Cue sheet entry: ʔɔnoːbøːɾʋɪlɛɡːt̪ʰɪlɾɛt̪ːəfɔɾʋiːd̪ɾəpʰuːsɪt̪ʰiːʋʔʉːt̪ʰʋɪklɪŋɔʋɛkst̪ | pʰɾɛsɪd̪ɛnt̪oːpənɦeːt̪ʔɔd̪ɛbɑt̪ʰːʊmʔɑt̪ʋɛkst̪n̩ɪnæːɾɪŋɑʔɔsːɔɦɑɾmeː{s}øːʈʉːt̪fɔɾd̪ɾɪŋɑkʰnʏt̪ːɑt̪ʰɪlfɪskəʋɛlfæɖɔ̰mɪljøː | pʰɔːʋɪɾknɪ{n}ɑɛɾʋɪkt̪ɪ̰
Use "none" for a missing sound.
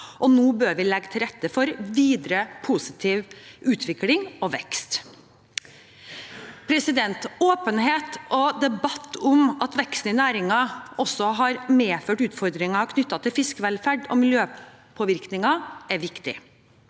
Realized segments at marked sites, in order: f, ŋ

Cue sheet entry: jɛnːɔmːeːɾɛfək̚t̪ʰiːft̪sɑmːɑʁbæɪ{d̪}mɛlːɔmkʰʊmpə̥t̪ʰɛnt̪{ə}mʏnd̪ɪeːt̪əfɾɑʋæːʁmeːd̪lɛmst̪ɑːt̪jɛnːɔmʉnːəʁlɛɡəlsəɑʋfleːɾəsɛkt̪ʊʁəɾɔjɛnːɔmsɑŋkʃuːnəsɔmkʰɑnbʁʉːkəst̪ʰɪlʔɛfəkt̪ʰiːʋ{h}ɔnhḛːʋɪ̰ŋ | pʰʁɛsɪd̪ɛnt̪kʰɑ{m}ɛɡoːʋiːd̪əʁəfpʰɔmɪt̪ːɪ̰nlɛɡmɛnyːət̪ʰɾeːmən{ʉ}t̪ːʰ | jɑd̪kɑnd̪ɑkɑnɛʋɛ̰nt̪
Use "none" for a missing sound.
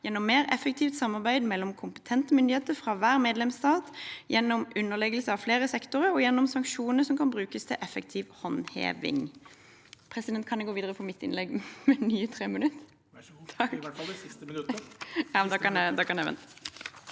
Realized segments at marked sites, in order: d̪, ə, h, n, ʉ

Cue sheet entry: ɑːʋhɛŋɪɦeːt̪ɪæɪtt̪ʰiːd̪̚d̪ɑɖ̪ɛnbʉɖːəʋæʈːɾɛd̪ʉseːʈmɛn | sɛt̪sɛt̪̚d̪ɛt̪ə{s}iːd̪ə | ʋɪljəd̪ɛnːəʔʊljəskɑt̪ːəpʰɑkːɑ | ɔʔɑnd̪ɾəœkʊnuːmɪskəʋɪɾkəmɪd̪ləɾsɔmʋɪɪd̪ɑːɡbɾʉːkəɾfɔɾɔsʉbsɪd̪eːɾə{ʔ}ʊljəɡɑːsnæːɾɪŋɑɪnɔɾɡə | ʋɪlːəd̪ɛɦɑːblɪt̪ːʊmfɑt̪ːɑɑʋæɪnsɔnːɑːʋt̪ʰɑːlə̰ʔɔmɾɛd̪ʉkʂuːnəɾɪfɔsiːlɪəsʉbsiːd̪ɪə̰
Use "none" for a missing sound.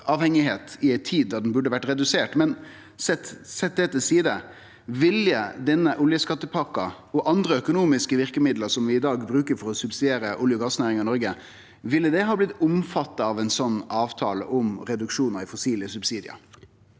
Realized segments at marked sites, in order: s, ʔ

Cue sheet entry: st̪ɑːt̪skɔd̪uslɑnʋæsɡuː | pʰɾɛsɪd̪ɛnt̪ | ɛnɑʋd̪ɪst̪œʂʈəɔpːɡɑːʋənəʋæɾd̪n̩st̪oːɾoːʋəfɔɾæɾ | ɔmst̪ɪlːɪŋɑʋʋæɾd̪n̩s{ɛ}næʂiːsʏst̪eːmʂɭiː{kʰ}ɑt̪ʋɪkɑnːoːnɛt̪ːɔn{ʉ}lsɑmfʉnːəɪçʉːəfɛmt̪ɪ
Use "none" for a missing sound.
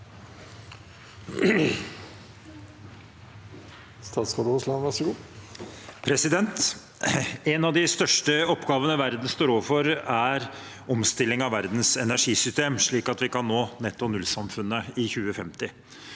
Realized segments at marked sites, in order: ɛ, k, ʉ

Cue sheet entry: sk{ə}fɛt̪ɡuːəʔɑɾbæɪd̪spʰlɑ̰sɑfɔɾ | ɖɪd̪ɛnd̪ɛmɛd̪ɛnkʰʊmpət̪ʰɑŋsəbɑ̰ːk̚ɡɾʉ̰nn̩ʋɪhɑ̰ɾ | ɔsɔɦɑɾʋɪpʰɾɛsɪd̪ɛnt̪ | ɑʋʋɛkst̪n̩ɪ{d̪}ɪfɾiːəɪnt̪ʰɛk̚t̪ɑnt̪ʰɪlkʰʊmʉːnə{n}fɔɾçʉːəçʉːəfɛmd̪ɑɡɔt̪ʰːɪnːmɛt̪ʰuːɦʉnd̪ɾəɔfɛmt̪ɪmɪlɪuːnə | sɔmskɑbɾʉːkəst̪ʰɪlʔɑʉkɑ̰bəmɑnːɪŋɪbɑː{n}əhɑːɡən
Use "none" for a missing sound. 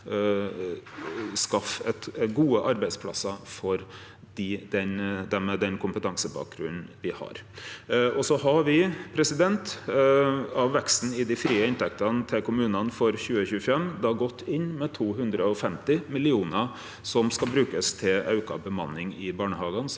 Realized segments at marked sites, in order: ɑ, d̪, n, ɳ

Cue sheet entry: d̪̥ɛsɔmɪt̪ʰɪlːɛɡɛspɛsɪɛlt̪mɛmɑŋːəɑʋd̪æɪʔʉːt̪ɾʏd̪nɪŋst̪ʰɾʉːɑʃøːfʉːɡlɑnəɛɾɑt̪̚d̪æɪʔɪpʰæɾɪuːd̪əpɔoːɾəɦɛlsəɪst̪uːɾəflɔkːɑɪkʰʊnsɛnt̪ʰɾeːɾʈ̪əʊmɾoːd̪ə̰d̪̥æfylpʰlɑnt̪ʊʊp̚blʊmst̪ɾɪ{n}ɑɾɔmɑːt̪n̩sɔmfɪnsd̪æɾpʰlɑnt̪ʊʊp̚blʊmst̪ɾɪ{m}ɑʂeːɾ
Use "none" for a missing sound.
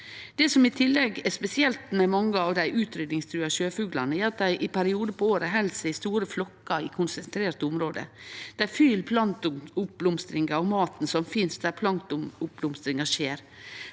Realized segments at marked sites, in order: ŋ, ŋ

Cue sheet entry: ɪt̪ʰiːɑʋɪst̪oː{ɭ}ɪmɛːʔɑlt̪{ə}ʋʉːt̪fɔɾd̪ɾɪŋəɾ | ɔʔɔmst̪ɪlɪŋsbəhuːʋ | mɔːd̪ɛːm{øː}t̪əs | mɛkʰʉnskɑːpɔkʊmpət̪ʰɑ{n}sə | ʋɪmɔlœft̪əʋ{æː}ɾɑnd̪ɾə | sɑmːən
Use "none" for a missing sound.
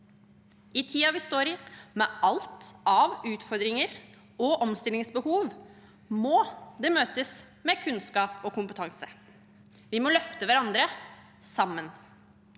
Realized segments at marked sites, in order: ɾ, ɑ, øː, ŋ, æ

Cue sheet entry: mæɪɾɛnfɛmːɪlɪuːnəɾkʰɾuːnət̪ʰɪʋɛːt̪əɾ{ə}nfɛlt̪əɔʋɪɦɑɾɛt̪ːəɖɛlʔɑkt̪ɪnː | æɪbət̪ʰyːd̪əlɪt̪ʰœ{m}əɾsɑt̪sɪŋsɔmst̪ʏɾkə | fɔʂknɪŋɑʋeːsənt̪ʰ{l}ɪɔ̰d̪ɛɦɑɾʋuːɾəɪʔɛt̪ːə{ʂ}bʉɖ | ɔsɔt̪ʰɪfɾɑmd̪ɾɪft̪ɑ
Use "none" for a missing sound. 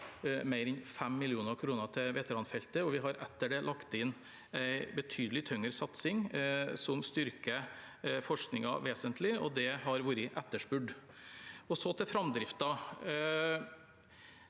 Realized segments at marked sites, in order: ɑ, ŋ, l, ʂ

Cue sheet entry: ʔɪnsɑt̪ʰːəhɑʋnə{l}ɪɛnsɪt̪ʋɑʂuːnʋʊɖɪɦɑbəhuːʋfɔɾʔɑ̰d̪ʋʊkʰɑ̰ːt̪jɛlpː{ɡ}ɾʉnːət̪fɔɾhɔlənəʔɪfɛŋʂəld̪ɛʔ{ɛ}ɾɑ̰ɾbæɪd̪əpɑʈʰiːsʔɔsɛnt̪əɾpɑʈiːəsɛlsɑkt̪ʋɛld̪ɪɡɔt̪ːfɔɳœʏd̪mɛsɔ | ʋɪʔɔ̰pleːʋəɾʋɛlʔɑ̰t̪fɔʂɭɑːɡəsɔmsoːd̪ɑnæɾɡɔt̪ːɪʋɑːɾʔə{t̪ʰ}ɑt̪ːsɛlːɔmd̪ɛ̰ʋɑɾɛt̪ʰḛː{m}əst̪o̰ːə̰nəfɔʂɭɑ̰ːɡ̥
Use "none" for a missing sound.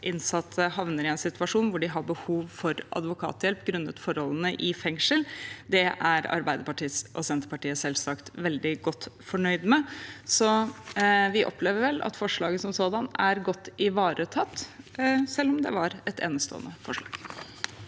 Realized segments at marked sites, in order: ɾ, ɡ, æ, t̪ʰ, n

